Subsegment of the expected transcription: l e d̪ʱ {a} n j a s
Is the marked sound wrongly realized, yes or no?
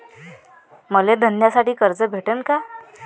yes